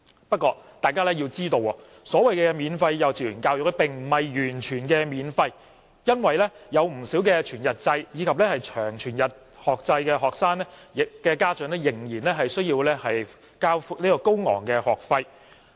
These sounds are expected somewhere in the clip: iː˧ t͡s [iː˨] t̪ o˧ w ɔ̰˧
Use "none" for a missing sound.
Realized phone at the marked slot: iː˥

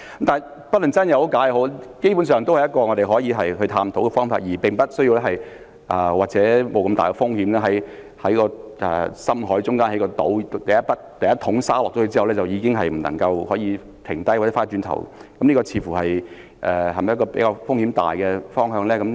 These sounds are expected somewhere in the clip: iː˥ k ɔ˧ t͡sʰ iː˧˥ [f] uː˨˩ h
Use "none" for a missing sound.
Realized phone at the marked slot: f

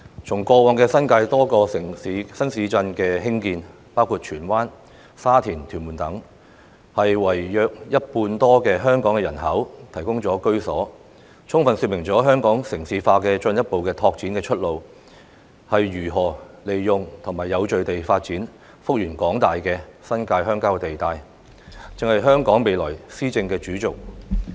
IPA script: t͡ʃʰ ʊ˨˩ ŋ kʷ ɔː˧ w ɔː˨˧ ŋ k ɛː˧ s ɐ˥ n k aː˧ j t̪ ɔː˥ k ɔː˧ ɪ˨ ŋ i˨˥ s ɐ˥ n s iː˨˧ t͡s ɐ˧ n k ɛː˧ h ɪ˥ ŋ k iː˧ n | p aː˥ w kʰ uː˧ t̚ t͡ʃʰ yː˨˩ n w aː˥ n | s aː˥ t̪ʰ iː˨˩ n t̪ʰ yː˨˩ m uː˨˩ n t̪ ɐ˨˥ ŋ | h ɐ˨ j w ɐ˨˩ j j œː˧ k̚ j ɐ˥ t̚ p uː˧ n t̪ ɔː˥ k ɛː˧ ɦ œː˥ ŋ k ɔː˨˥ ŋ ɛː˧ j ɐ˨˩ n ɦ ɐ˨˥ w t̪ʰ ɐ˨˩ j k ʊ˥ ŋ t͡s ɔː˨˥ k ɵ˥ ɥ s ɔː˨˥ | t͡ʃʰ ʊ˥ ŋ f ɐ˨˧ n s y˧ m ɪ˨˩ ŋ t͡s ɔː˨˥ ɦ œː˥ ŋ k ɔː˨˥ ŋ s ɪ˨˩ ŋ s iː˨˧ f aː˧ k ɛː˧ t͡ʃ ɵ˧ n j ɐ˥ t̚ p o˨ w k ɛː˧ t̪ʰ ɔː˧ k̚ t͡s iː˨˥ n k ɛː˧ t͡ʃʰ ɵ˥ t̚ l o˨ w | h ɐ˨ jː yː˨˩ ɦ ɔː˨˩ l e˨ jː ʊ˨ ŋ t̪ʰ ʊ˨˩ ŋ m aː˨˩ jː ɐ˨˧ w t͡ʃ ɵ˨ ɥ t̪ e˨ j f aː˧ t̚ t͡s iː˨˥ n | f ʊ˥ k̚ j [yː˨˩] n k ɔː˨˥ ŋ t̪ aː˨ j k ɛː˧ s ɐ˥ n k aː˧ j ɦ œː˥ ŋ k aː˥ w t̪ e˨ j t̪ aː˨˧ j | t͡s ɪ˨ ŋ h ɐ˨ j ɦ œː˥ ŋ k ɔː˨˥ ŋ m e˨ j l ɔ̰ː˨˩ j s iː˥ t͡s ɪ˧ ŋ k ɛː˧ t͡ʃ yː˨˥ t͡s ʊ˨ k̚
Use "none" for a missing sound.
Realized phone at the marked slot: yː˨˩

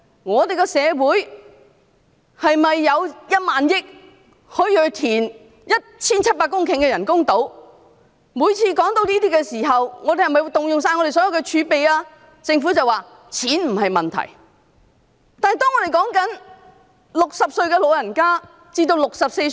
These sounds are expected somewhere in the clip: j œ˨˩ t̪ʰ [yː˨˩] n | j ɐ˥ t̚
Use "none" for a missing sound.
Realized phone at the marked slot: iː˨˩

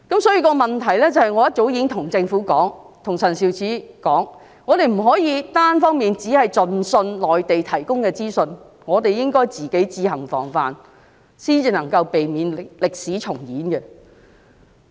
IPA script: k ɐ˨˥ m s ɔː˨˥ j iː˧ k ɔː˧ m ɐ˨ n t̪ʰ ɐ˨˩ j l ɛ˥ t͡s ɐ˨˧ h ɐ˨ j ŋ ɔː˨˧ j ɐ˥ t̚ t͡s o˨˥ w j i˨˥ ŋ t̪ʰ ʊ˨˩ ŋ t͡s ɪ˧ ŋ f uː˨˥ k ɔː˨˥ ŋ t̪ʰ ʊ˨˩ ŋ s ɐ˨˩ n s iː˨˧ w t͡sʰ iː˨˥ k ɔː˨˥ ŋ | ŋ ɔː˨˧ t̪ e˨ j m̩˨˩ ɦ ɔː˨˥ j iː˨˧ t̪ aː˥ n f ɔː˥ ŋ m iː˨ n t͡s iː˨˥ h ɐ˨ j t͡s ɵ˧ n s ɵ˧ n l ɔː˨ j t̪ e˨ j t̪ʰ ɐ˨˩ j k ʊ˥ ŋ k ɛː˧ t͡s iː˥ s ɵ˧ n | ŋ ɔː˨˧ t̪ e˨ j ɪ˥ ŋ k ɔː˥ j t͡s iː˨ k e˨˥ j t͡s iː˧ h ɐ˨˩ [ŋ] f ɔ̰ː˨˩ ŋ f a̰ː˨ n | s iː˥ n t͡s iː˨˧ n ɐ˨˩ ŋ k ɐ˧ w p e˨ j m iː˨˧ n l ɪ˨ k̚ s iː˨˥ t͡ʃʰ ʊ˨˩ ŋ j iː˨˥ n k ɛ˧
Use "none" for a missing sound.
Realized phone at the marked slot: ŋ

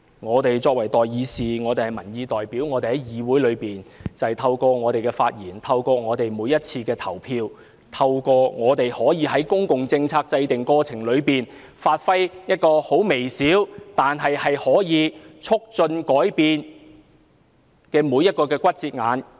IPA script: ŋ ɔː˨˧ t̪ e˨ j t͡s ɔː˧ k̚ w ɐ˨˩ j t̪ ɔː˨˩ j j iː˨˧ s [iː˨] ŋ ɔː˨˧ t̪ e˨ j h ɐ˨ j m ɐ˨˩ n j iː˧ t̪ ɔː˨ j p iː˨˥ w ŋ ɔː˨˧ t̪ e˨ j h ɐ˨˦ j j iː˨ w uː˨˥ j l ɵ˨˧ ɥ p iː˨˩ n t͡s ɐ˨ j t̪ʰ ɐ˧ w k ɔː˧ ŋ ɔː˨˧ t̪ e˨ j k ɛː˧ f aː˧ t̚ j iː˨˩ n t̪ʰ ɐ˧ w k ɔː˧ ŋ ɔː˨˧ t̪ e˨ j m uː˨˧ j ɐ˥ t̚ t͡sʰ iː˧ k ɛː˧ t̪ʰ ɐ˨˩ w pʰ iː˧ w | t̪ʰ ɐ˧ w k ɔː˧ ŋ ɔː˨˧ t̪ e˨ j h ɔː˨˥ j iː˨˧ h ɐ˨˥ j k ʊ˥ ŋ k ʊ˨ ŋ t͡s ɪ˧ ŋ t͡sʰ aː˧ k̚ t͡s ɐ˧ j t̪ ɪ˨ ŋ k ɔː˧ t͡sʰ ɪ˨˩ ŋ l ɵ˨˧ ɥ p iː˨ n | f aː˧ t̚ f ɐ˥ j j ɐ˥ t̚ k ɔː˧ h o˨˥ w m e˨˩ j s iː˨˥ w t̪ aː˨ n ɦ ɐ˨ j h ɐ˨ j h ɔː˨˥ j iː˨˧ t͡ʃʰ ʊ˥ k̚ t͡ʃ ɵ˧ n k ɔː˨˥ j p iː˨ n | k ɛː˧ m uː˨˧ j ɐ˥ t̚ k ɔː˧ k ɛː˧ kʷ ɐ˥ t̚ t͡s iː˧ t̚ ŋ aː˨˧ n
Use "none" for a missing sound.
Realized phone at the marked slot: iː˨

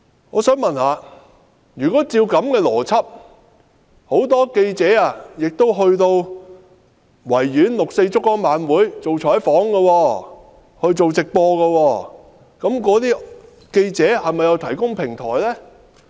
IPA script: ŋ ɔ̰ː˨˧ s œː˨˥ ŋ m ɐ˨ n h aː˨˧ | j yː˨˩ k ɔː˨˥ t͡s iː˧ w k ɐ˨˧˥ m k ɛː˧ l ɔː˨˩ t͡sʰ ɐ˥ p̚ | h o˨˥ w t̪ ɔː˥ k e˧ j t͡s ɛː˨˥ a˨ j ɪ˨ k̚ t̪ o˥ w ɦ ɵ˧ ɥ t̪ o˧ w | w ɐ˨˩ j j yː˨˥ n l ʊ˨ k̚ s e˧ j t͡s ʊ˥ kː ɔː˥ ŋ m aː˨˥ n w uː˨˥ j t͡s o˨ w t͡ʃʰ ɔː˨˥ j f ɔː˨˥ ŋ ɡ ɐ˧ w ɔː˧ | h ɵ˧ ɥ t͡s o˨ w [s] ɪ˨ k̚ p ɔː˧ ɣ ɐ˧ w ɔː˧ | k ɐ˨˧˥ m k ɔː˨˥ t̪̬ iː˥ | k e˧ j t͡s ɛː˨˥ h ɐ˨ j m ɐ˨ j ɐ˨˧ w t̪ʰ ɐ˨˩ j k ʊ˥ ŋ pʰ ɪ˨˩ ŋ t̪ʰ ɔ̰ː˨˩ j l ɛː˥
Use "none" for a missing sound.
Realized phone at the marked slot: t͡s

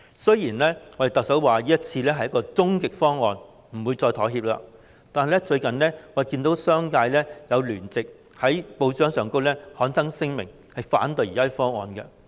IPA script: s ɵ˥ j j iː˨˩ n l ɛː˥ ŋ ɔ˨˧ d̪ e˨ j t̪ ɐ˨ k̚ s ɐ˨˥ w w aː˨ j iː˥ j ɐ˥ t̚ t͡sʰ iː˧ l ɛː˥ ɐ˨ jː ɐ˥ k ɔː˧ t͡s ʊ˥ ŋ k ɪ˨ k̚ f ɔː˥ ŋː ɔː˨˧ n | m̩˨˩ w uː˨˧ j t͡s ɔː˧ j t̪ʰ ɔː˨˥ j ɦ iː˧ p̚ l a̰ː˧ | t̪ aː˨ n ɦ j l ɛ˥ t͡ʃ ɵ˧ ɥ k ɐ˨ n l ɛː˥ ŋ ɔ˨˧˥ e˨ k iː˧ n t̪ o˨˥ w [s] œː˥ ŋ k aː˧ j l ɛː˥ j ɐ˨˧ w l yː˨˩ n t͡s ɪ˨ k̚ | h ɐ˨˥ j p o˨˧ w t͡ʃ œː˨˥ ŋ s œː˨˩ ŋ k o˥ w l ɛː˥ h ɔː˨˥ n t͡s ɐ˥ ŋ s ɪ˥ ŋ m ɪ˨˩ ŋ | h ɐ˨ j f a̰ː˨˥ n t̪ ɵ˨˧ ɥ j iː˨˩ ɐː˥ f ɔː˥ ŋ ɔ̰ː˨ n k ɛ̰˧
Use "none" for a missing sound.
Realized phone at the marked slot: s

